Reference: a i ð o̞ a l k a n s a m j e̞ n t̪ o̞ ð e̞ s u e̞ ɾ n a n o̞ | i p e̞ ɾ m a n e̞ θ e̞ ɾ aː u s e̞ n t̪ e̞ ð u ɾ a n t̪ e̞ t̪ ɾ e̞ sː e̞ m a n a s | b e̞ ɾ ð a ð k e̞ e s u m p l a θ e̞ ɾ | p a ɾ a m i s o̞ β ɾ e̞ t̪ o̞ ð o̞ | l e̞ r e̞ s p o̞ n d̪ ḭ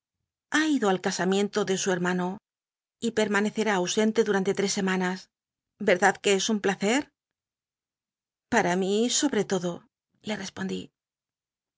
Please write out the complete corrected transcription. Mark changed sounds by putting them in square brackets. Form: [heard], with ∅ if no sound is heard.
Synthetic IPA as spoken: a i ð o̞ a l k a [∅] s a m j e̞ n t̪ o̞ ð e̞ s u e̞ ɾ [m] a n o̞ | i p e̞ ɾ m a n e̞ θ e̞ ɾ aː [w] s e̞ n t̪ e̞ ð u ɾ a n t̪ e̞ t̪ ɾ e̞ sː e̞ m a n a s | b e̞ ɾ ð a ð k e̞ e s u m p l a θ e̞ ɾ | p a ɾ a m i s o̞ β ɾ e̞ t̪ o̞ ð o̞ | l e̞ r e̞ s p o̞ n d̪ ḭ